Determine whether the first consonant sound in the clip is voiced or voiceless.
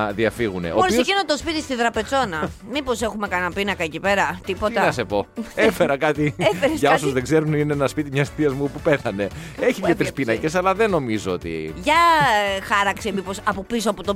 voiced